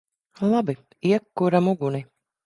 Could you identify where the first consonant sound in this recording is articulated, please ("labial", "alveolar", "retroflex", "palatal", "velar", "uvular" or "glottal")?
alveolar